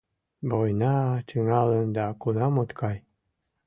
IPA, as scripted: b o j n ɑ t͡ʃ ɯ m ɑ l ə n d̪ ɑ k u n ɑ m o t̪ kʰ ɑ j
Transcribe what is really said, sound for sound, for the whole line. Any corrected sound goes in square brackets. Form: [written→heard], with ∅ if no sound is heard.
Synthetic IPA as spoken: b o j n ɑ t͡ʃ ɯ [m→ŋ] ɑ l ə n d̪ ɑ k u n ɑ m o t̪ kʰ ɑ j